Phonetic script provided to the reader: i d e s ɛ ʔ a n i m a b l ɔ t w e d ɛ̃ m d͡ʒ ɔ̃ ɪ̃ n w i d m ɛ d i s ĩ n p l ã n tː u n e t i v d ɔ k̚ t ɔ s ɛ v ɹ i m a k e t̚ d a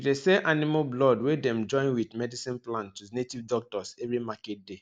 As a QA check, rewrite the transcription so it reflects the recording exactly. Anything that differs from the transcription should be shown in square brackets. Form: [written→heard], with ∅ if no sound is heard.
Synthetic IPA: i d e s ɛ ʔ a n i m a b l ɔ [t→d] w e d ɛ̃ m d͡ʒ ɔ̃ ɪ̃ n w i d m ɛ d i s ĩ n p l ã n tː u n e t i v d ɔ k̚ t ɔ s ɛ v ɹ i m a k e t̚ d [a→e]

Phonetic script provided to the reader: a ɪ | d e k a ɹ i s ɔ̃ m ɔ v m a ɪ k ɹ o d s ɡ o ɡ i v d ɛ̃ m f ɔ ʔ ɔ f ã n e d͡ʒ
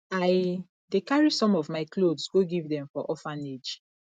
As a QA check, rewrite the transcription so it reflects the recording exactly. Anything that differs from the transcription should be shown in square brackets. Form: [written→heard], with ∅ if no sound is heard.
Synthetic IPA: a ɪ | d e k a ɹ i s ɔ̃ m ɔ v m a ɪ k [ɹ→l] o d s ɡ o ɡ i v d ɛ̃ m f ɔ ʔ ɔ f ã n e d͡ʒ

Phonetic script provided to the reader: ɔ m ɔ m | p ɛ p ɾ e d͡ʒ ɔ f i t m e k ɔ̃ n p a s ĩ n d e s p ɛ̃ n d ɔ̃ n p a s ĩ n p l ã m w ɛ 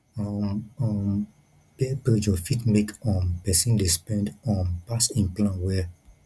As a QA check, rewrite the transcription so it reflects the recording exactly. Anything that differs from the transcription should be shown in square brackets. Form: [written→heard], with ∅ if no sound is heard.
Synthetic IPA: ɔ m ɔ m | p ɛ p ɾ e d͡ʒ ɔ f i t m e k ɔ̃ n p [a→ɛ] s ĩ n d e s p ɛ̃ n d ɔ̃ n p a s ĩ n p l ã [m→n] w ɛ

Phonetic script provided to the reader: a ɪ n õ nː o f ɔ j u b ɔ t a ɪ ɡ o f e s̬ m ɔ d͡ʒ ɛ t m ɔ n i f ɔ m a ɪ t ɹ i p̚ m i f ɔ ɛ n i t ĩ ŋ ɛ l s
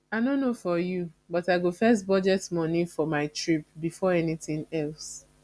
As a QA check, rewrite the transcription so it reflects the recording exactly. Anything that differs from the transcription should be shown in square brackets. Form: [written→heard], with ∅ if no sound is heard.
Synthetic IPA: a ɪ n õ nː o f ɔ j u b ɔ t a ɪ ɡ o f [e→ɛ] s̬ [m→b] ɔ d͡ʒ ɛ t m ɔ n i f ɔ m a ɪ t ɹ i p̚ [m→b] i f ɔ ɛ n i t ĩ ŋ ɛ l s

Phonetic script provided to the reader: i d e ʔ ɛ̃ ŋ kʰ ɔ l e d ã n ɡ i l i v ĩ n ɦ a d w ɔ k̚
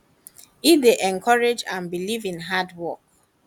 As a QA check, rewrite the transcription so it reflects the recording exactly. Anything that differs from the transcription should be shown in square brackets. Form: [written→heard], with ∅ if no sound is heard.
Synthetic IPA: i d e ʔ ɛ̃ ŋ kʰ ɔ [l→ɹ] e [d→d͡ʒ] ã n [ɡ→b] i l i v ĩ n ɦ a d w ɔ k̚

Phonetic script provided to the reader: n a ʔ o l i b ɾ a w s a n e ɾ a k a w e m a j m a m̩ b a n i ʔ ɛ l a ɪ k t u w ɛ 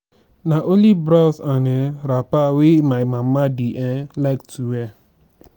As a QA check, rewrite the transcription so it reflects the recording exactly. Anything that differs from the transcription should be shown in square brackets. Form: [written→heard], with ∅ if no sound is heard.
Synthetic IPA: n a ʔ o l i b ɾ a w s a n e ɾ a [k→p] a w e m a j m a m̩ [b→m] a [n→d] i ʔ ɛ l a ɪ k t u w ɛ

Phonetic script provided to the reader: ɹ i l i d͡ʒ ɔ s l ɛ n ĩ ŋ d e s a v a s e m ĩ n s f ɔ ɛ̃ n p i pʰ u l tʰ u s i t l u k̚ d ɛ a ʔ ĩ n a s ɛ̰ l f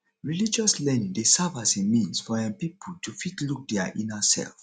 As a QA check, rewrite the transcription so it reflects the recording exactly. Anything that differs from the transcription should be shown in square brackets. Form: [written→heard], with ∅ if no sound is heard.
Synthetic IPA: ɹ i l i d͡ʒ ɔ s l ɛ n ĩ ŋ d e s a v a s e m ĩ n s f ɔ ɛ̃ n p i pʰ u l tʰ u [s→f] i t l u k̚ d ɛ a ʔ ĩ n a s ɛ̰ l f

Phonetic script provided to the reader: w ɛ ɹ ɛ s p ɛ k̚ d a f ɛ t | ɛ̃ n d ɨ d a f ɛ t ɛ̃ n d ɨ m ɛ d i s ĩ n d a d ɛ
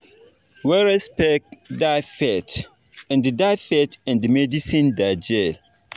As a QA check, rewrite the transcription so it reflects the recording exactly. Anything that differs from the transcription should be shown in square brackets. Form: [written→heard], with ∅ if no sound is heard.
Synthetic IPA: w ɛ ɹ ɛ s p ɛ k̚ d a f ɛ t | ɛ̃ n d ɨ d a f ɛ t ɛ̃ n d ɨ m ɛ d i s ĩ n d a [d→d͡ʒ] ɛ

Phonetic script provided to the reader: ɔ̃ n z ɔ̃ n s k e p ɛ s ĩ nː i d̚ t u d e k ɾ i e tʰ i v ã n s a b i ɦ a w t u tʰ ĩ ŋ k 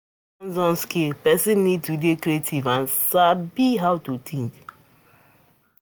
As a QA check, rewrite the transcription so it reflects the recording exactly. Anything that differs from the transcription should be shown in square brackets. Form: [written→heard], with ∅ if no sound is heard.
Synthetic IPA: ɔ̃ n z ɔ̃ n s k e p ɛ s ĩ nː i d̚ t u d e k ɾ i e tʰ i v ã n s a b i ɦ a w t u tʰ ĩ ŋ k

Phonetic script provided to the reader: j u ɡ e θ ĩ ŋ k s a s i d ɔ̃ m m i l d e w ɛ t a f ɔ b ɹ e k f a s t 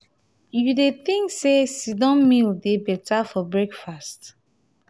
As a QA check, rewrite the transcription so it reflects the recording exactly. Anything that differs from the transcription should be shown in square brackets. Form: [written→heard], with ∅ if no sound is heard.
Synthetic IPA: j u [ɡ→d] e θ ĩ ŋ k s [a→e] s i d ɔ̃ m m i l d e [w→b] ɛ t a f ɔ b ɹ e k f a s t

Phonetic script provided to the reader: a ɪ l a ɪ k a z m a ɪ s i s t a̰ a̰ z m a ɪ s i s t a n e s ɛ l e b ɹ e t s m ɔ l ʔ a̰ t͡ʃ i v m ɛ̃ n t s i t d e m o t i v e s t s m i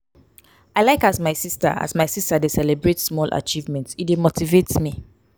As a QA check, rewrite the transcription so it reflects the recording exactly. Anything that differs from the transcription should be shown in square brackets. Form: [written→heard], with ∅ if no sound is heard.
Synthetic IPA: a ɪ l a ɪ k a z m a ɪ s i s t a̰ a̰ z m a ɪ s i s t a [n→d] e s ɛ l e b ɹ e t s m ɔ l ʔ a̰ t͡ʃ i v m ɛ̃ n t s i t d e m o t i v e [s→∅] t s m i

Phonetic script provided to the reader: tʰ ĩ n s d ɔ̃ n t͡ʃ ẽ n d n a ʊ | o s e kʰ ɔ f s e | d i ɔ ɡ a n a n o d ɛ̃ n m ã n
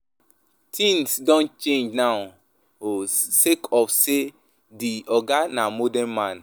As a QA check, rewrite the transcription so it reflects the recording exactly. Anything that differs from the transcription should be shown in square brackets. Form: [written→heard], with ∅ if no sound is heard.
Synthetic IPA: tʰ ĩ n s d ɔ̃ n t͡ʃ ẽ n [d→d͡ʒ] n a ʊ | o s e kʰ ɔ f s e | d i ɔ ɡ a n a [n→m] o d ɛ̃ n m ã n

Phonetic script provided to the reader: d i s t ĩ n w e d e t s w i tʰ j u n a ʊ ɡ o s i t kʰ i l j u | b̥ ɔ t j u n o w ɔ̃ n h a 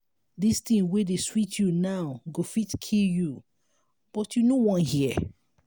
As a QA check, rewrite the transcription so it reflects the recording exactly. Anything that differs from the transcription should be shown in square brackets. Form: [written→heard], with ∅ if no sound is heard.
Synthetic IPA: d i s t ĩ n w e d e [t→∅] s w i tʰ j u n a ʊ ɡ o [s→f] i t kʰ i l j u | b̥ ɔ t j u n o w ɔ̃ n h [a→i]

